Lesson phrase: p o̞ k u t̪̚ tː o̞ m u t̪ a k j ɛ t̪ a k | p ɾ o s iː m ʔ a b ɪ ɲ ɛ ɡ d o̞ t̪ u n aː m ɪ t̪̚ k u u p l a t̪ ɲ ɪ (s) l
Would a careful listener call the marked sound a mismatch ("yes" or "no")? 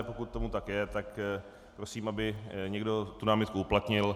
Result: yes